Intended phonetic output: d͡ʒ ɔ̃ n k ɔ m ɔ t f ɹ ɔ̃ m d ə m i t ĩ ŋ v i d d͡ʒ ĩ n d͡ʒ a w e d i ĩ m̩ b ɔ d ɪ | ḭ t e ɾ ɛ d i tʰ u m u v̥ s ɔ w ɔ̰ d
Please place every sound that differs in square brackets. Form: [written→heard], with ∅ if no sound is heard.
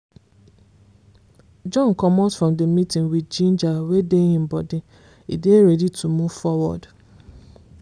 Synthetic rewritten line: d͡ʒ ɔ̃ n k ɔ m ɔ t f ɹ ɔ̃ m d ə m i t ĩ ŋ [v→w] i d d͡ʒ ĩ n d͡ʒ a w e d [i→e] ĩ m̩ b ɔ d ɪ | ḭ [t→d] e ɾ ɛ d i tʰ u m u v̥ [s→f] ɔ w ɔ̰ d